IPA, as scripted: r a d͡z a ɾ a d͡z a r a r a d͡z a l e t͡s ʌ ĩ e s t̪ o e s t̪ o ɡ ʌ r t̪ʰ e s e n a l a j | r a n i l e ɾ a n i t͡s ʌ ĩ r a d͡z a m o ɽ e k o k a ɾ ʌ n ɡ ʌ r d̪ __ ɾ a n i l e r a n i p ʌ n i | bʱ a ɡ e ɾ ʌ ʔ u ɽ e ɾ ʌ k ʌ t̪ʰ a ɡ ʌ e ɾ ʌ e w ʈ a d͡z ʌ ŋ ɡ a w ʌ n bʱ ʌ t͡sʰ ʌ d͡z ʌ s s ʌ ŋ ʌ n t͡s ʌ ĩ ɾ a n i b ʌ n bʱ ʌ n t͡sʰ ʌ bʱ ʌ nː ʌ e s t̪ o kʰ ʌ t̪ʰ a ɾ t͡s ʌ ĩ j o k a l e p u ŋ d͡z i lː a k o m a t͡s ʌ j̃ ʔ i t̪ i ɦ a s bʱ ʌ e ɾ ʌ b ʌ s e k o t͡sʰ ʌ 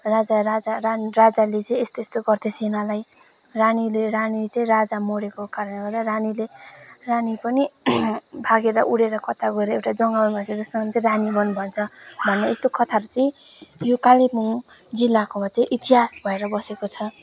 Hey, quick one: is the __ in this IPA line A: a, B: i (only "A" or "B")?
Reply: A